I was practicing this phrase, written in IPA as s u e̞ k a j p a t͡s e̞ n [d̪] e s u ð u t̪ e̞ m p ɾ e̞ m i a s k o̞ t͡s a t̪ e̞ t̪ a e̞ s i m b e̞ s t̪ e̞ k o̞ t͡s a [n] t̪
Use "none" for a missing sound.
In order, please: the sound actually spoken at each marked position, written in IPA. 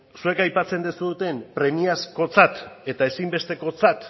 d̪, none

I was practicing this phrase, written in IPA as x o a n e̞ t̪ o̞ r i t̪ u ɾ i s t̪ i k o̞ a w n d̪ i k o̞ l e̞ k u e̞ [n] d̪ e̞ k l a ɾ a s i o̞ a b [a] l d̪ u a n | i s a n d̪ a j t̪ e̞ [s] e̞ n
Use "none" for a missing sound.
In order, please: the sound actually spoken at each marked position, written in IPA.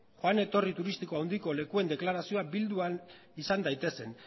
n, i, s

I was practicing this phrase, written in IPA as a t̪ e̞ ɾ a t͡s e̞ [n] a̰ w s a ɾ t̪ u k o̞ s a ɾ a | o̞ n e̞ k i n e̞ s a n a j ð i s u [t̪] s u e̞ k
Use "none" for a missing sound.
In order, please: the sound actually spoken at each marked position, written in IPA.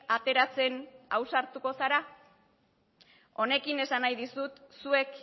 n, t̪

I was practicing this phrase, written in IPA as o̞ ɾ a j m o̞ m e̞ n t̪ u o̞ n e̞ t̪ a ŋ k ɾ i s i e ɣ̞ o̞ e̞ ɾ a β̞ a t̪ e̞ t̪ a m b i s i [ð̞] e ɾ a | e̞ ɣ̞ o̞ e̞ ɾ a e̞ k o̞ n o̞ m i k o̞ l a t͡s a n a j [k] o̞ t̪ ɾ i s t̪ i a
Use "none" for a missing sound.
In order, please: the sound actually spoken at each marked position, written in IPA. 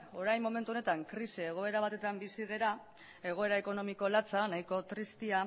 ð̞, k

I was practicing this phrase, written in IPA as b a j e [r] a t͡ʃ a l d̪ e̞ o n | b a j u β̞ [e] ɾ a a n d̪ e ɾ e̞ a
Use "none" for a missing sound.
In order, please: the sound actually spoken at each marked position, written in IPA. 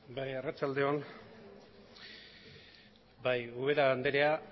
r, e

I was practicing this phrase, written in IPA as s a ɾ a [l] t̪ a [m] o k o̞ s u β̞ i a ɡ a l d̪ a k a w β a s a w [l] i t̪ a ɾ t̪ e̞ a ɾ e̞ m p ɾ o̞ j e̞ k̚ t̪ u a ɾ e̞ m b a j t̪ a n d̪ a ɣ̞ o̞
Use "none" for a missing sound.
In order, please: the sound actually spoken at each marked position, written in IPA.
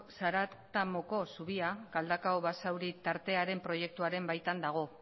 none, m, ɾ

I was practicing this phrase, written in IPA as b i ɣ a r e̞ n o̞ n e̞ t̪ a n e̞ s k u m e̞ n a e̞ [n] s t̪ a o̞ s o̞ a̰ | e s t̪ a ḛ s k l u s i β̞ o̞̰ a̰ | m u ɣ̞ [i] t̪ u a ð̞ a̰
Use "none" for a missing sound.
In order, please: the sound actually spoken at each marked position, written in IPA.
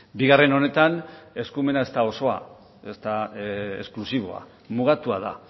none, a

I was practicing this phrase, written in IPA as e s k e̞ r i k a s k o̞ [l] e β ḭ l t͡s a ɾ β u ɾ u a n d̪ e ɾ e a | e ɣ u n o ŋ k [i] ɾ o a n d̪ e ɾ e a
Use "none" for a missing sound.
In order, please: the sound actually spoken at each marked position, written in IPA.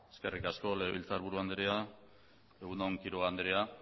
l, i

